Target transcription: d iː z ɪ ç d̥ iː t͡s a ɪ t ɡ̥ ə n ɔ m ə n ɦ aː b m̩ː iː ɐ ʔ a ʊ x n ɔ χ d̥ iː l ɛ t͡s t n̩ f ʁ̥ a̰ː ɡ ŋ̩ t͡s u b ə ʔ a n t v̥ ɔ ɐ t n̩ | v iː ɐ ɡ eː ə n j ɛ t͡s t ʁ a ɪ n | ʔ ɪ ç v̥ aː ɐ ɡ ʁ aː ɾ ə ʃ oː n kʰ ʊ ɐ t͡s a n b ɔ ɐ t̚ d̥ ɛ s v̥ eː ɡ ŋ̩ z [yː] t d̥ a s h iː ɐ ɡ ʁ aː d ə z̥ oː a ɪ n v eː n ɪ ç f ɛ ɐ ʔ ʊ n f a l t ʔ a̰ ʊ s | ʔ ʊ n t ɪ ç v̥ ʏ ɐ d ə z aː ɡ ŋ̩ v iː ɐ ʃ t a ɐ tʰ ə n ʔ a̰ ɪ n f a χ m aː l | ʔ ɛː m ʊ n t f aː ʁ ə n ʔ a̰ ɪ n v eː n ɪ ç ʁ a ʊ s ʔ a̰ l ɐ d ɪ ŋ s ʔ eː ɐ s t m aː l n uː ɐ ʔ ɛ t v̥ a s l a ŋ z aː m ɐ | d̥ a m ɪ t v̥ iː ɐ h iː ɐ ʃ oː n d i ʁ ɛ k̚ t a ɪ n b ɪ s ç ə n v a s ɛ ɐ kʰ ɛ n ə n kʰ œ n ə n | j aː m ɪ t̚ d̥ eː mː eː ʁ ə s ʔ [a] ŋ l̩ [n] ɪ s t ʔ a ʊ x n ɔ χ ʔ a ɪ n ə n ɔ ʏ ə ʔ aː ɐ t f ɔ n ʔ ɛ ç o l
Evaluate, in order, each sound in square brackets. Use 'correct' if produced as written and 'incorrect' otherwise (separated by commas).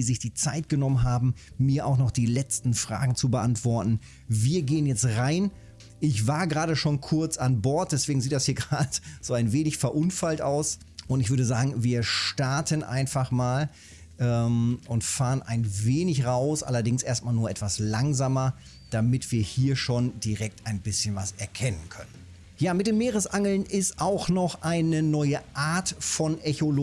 incorrect, correct, correct